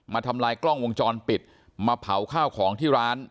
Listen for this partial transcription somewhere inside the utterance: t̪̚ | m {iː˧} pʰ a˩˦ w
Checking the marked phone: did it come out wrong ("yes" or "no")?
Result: yes